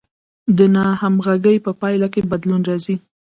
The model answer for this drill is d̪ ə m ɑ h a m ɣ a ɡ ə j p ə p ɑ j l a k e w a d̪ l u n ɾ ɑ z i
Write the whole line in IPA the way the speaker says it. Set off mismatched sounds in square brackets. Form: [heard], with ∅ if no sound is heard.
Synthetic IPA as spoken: d̪ ə [n] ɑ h a m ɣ a ɡ ə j p ə p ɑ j l a k e [b] a d̪ l u n ɾ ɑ z i